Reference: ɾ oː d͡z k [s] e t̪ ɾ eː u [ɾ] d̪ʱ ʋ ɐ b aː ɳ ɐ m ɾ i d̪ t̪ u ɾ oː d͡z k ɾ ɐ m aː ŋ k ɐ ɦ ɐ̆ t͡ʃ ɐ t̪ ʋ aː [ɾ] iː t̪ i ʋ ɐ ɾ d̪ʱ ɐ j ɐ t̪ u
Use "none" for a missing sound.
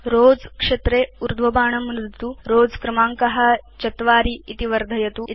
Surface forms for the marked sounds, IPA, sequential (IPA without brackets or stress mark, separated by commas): ʂ, ɾ, ɾ